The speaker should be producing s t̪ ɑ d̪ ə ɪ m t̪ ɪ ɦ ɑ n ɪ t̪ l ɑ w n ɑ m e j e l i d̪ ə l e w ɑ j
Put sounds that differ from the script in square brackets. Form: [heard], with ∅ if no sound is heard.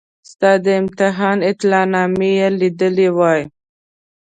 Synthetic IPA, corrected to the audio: s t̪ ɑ d̪ ə ɪ m t̪ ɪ ɦ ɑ n ɪ t̪ l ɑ [∅] n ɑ m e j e l i d̪ ə l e w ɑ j